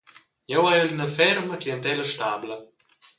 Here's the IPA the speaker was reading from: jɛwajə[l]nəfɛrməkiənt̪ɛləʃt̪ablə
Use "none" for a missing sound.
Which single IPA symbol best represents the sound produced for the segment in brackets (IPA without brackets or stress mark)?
l